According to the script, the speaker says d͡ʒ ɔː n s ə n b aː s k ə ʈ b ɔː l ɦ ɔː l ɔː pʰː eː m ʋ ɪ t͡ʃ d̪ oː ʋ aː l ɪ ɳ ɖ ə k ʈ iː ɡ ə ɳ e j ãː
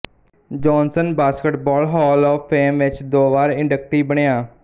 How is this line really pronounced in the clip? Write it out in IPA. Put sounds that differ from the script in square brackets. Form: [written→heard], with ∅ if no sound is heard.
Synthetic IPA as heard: d͡ʒ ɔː n s ə n b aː s k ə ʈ b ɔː l ɦ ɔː l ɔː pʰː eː m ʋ ɪ t͡ʃ d̪ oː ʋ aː [l→ɾ] ɪ ɳ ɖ ə k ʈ iː [ɡ→b] ə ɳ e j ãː